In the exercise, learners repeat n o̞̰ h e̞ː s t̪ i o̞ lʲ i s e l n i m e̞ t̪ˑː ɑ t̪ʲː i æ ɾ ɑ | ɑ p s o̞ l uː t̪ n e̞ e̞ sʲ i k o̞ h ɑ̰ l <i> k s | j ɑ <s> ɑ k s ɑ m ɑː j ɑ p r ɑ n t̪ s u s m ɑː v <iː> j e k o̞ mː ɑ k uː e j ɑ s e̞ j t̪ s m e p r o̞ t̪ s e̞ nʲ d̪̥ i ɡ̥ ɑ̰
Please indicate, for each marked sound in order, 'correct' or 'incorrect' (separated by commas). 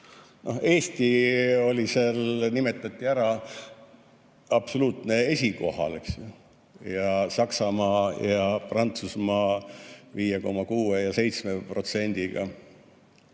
incorrect, correct, correct